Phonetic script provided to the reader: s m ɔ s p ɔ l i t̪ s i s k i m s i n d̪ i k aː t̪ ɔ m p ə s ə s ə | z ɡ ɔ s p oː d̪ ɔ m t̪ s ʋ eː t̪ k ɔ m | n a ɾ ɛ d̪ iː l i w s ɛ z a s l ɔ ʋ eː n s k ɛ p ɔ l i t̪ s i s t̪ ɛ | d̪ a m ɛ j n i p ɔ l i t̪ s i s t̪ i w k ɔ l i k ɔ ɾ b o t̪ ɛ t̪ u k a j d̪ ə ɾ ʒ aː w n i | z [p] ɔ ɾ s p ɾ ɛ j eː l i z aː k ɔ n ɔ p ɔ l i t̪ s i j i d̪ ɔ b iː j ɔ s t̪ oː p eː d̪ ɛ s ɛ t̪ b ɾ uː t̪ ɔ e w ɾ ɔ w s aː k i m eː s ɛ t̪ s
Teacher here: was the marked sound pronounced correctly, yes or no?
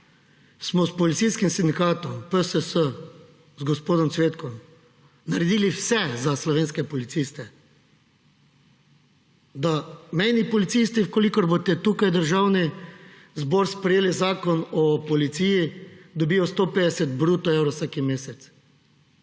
no